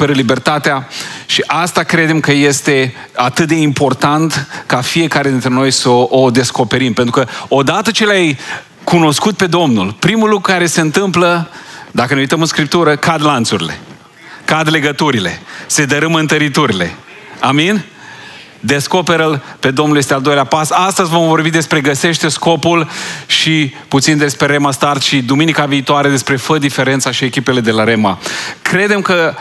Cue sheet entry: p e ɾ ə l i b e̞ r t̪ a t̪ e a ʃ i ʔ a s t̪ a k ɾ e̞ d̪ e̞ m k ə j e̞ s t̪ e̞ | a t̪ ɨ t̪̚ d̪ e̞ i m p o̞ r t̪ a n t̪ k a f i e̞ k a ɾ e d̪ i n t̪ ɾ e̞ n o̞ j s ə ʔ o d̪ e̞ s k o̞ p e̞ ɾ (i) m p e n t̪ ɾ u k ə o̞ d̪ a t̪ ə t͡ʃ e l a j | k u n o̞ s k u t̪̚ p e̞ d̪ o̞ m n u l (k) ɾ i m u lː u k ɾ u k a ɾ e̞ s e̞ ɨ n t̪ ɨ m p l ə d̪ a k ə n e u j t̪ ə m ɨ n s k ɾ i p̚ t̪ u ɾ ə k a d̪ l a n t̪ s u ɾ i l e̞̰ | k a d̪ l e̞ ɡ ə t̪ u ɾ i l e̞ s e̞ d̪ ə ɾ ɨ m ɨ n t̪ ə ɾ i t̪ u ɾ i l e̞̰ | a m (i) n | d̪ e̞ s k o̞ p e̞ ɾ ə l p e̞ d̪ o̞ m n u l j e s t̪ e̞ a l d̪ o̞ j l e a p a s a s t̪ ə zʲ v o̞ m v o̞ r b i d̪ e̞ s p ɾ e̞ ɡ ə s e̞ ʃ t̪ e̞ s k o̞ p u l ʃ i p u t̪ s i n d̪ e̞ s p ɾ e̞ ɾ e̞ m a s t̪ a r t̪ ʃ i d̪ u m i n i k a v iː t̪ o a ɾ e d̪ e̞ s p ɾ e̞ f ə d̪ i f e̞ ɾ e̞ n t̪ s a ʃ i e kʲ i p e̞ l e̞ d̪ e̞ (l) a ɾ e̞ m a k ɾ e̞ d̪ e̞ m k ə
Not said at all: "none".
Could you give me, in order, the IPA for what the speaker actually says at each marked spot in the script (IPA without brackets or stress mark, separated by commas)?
i, p, i, l